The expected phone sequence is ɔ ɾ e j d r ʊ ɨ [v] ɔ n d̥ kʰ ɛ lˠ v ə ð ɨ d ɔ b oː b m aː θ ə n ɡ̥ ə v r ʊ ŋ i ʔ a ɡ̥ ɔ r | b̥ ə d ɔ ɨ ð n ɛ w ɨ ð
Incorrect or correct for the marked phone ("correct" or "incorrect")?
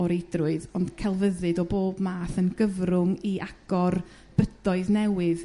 incorrect